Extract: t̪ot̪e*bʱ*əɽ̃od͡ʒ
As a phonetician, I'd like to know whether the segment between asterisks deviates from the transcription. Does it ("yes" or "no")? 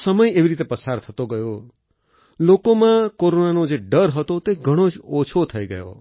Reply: yes